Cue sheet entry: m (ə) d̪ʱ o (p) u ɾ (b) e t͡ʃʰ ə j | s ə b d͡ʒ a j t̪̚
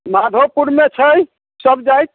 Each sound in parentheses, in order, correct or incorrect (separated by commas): incorrect, correct, incorrect